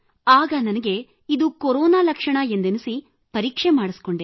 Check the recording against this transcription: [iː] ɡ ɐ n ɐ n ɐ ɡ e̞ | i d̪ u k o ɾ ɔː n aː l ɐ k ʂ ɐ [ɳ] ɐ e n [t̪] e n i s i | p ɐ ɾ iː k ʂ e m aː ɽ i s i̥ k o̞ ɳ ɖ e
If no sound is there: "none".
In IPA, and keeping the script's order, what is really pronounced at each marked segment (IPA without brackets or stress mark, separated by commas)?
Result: aː, ɳ, d̪